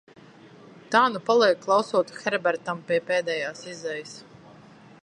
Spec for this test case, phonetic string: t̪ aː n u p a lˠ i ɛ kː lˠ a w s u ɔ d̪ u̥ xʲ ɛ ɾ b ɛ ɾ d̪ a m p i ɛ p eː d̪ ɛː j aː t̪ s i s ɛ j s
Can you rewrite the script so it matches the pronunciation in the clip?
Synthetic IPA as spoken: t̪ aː n u p a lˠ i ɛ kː lˠ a w s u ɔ t̪ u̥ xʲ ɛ ɾ b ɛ ɾ t̪ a m p i ɛ p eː d̪ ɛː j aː s i z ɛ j s